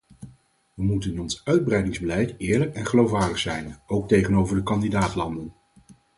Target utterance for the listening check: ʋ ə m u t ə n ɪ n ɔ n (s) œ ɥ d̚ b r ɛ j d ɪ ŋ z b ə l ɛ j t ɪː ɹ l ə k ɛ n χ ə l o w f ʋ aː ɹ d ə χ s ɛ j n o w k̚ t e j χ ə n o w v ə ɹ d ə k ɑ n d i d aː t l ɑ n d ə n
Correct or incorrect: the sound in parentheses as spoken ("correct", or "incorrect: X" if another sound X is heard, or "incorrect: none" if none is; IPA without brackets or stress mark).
correct